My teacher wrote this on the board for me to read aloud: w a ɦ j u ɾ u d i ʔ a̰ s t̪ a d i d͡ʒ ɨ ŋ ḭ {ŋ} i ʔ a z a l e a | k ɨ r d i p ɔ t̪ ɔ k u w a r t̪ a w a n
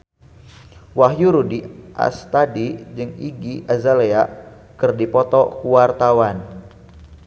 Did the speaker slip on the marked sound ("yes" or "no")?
yes